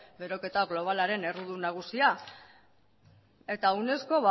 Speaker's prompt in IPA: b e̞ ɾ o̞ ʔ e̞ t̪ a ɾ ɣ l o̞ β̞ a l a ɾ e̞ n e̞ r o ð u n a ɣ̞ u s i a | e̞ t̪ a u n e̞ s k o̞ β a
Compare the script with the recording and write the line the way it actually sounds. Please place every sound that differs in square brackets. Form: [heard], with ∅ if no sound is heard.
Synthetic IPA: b e̞ ɾ o̞ [k] e̞ t̪ a [∅] ɣ l o̞ β̞ a l a ɾ e̞ n e̞ r [u] ð u n a ɣ̞ u s i a | e̞ t̪ a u n e̞ s k o̞ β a